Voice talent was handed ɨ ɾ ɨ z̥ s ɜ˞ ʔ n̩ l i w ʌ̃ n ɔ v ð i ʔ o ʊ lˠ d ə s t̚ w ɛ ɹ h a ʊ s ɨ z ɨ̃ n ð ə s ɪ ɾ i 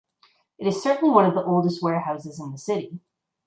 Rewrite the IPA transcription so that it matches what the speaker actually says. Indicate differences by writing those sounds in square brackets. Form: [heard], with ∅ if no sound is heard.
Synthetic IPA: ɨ ɾ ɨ z̥ s ɜ˞ ʔ n̩ l i w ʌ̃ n [ʌ] v ð i ʔ o ʊ lˠ d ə s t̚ w ɛ ɹ h a ʊ s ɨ z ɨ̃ n ð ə s ɪ ɾ i